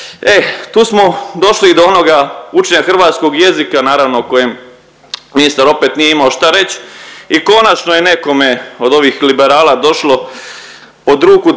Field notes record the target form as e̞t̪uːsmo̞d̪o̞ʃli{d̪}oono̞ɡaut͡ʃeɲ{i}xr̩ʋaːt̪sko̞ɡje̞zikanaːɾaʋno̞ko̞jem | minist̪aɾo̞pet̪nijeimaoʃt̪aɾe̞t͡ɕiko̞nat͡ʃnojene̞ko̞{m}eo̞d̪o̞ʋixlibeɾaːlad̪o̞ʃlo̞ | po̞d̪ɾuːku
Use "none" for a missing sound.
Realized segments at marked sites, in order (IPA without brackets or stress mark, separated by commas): d̪, a, m